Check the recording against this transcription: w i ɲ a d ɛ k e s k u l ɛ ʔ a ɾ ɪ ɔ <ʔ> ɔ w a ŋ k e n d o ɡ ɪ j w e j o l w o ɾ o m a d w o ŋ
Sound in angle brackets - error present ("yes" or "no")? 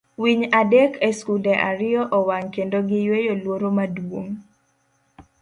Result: no